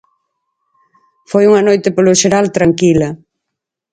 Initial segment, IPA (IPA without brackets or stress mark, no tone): f